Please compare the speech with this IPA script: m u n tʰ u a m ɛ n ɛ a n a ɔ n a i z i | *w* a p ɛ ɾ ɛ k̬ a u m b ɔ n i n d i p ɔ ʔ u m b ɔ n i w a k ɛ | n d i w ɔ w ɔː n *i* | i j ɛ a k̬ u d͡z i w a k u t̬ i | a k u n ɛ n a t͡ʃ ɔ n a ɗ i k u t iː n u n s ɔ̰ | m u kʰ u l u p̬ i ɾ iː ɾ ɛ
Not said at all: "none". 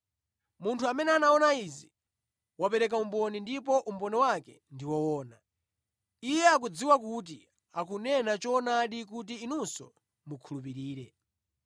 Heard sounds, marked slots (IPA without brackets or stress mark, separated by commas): w, a